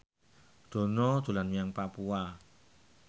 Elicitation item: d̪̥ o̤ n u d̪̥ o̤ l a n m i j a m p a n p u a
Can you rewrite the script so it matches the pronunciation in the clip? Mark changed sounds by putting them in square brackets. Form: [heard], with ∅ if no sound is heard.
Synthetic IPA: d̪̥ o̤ n [ɔ] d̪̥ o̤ l a n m i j a [ŋ] p a [∅] p u a

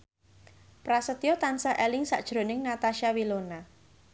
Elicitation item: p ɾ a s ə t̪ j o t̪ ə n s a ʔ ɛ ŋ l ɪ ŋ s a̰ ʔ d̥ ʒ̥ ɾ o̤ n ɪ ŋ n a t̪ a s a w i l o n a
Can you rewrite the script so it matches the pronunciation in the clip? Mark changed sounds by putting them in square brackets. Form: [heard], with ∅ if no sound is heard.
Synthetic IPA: p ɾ a s ə t̪ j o t̪ [a] n s a ʔ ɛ [∅] l ɪ ŋ s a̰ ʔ d̥ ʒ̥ ɾ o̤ n ɪ ŋ n a t̪ a [ʃ] a w i l o n a

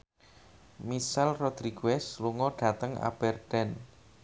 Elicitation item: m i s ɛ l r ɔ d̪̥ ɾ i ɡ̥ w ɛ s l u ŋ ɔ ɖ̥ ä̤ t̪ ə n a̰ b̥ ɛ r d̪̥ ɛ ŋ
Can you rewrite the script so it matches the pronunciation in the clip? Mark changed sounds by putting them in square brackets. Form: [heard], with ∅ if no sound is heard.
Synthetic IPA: m i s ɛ l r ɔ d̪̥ ɾ i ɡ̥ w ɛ s l u ŋ ɔ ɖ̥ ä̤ t̪ ə [ŋ] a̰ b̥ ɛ r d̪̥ ɛ [n]

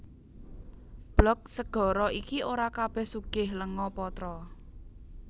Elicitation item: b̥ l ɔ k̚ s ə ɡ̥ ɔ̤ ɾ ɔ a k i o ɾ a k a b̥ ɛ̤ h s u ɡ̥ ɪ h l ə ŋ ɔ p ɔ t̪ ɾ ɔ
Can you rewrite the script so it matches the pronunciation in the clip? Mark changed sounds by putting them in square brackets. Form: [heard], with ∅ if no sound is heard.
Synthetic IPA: b̥ l ɔ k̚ s ə ɡ̥ ɔ̤ ɾ ɔ [i] k i o ɾ a k a b̥ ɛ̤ h s u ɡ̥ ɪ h l ə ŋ ɔ p ɔ t̪ ɾ ɔ

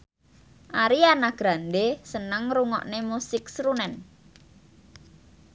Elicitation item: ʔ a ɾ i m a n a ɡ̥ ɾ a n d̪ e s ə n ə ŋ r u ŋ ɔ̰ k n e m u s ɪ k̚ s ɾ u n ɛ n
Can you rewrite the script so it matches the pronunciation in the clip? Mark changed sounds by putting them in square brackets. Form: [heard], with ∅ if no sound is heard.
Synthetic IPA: ʔ a ɾ i [∅] a n a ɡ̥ ɾ a n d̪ e s ə n ə ŋ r u ŋ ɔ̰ [ʔ] n e m u s ɪ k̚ s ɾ u n ɛ n

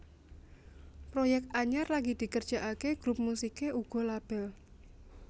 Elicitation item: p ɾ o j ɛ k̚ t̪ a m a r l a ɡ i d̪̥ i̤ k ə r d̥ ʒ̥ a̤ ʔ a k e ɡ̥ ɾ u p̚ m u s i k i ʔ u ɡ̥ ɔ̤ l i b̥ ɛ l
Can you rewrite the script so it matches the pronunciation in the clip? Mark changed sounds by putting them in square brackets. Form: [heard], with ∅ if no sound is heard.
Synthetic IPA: p ɾ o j ɛ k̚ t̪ a [ɲ] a r l a ɡ i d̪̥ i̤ k ə r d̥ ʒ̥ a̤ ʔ a k e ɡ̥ ɾ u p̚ m u s i k [e] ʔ u ɡ̥ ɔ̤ l [a] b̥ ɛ l

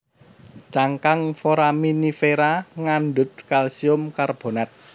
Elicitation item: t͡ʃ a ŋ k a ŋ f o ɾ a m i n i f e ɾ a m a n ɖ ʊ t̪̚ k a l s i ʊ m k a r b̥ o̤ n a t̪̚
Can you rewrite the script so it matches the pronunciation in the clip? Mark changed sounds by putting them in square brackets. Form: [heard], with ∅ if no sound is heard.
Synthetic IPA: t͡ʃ a ŋ k a ŋ f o ɾ a m i n i f e ɾ a [ŋ] a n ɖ ʊ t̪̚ k a l s i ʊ m k a r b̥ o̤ n a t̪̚

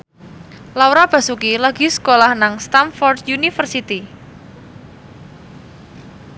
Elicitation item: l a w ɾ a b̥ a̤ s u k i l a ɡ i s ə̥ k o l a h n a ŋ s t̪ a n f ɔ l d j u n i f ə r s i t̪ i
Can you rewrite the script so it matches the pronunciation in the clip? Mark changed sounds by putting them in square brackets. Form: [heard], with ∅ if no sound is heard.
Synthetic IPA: l a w ɾ a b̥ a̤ s u k i l a ɡ i s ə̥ k o l a h n a ŋ s t̪ a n f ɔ [r] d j u n i f ə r s i t̪ i

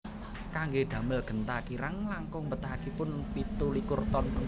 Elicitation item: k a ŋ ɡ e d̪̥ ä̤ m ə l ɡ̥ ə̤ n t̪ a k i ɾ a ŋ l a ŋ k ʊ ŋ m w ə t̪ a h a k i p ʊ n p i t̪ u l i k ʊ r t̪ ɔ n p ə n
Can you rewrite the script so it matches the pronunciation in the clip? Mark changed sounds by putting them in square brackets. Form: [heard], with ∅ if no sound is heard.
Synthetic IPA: k a ŋ ɡ e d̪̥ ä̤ m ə l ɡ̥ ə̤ n t̪ a k i ɾ a ŋ l a ŋ k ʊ ŋ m [b] ə t̪ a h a k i p ʊ n p i t̪ u l i k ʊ r t̪ ɔ n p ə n

